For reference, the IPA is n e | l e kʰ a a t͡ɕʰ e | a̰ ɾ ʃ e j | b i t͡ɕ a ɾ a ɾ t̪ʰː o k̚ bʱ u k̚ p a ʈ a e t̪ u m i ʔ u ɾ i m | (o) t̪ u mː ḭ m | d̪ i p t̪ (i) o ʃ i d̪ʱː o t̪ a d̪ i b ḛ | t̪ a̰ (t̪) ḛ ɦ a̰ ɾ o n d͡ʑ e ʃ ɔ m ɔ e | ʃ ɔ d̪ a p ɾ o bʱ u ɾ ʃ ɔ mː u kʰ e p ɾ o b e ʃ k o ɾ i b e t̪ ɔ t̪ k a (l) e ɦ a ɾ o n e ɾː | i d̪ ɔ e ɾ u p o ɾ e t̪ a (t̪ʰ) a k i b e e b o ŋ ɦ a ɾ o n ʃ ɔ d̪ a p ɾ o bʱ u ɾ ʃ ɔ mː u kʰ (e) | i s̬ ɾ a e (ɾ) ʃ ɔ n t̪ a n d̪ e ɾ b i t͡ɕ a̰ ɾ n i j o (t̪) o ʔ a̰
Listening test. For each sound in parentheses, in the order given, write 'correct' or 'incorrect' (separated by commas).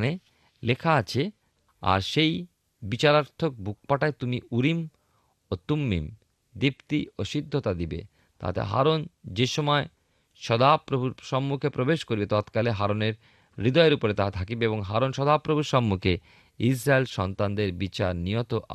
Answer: correct, correct, correct, correct, correct, correct, incorrect, correct